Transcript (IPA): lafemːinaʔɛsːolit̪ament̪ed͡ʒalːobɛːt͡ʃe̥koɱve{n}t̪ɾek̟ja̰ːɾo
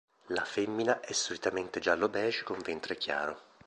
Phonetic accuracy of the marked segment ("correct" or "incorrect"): correct